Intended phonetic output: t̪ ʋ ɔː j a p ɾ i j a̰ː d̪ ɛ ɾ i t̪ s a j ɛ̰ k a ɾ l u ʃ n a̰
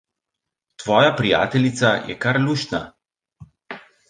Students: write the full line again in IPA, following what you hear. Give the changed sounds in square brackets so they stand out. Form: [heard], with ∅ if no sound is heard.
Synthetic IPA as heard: t̪ ʋ ɔː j a p ɾ i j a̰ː [t̪] ɛ [l] i t̪ s a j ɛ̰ k a ɾ l u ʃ n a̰